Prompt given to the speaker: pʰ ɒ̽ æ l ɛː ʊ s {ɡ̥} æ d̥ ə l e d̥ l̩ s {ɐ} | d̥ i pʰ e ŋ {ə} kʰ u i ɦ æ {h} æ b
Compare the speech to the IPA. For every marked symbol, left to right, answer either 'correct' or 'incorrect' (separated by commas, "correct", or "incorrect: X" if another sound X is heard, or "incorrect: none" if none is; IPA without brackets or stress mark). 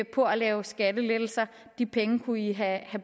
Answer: correct, correct, correct, correct